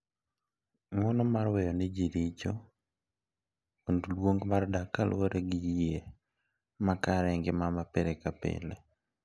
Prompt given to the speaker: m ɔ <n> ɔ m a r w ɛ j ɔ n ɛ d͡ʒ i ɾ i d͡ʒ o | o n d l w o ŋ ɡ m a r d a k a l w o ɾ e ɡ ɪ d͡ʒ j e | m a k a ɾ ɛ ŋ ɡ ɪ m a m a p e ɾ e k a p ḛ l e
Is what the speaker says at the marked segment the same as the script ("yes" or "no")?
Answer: yes